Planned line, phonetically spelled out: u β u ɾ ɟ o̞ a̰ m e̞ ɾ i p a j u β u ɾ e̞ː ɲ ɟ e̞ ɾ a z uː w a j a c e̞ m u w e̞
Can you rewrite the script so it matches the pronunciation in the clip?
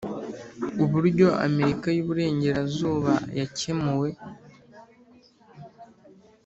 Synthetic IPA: u β u ɾ ɟ o̞ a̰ m e̞ ɾ i k a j u β u ɾ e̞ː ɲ ɟ e̞ ɾ a z uː β a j a c e̞ m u w e̞